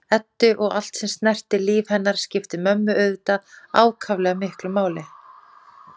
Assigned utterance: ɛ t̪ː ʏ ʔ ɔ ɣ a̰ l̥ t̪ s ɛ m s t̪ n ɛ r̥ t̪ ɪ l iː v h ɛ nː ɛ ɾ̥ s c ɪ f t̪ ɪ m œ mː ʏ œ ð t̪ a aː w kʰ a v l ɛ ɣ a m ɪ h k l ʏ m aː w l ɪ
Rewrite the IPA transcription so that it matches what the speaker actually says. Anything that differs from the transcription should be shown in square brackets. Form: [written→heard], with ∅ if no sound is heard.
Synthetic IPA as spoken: ɛ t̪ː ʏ ʔ ɔ ɣ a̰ l̥ t̪ s ɛ m s t̪ n ɛ r̥ t̪ ɪ l iː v h ɛ nː [ɛ→a] ɾ̥ s c ɪ f t̪ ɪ m œ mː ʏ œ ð t̪ a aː w kʰ a v l ɛ ɣ a m ɪ h k l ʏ m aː w l ɪ